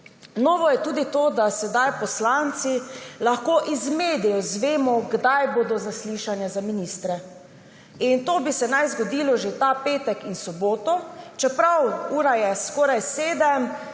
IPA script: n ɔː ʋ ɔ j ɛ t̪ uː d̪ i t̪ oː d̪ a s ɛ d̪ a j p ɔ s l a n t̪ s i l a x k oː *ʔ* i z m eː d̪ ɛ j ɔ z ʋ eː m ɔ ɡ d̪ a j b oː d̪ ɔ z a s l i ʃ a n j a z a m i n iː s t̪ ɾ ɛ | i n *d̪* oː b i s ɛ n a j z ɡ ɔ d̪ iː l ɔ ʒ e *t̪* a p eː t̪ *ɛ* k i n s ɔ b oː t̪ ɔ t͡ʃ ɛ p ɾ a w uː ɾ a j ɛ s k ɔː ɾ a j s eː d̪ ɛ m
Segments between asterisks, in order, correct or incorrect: correct, incorrect, correct, correct

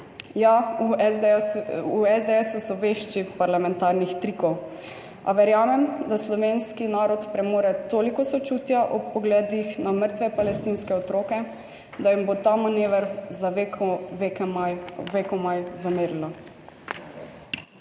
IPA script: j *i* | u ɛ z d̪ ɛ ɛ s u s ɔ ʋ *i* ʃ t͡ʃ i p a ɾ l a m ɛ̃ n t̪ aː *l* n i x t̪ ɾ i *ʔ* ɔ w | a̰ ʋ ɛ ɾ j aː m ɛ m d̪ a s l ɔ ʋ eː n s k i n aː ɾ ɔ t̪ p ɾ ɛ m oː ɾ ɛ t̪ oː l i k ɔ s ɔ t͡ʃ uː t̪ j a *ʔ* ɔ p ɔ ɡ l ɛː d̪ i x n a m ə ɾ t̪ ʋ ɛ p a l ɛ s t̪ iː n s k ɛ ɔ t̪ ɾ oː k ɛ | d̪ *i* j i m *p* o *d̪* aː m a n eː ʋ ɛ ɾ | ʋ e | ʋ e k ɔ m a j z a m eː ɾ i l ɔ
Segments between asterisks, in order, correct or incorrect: incorrect, incorrect, incorrect, incorrect, correct, incorrect, incorrect, incorrect

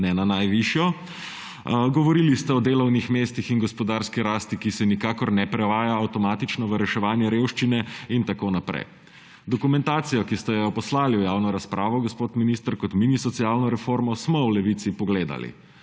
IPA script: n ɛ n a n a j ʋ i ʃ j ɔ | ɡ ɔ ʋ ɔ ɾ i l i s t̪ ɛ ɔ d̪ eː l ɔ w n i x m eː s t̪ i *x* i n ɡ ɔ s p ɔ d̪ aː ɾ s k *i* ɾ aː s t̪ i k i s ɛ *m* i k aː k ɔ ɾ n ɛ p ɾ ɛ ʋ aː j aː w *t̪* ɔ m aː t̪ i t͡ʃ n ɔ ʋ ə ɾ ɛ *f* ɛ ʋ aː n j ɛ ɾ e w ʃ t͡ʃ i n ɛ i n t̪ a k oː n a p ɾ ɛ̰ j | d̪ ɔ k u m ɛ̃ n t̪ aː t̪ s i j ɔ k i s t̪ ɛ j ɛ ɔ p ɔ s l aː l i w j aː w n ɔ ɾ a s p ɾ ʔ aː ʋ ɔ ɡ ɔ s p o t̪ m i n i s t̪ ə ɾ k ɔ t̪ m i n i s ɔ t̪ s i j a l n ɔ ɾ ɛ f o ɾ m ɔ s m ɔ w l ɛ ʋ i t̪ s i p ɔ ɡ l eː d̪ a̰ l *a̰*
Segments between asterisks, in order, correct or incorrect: correct, correct, incorrect, correct, incorrect, incorrect

